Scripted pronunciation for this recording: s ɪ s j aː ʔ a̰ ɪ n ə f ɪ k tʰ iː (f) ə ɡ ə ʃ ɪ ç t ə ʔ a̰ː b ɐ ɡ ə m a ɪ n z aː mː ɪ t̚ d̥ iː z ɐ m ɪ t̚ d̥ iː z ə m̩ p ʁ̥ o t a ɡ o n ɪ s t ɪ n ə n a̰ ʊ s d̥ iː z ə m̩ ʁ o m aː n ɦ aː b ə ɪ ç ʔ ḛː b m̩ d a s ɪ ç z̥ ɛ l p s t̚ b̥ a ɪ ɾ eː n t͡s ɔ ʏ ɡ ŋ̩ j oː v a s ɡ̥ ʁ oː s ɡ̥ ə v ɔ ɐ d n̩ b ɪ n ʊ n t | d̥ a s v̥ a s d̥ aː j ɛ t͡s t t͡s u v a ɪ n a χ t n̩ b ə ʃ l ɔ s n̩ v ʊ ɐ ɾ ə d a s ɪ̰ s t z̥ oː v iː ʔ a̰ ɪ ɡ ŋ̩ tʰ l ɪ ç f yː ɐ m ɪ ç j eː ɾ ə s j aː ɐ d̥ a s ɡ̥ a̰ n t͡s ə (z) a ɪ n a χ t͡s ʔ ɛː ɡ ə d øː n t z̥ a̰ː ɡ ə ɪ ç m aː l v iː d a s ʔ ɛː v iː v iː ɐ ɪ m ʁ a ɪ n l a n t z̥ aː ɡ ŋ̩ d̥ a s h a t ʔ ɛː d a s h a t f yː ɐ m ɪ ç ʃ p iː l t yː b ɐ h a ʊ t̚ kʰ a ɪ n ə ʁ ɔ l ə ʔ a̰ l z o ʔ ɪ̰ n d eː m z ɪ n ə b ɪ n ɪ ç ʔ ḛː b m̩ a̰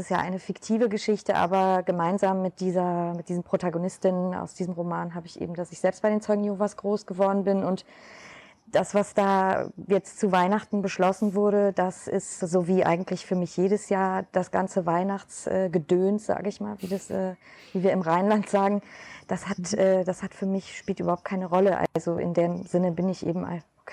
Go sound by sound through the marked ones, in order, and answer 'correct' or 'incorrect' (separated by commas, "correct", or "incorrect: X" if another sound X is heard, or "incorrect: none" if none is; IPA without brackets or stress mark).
incorrect: v, incorrect: v